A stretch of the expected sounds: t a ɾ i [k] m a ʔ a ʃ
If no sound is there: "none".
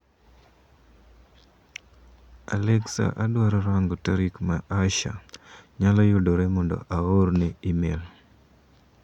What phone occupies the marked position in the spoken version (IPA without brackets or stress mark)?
k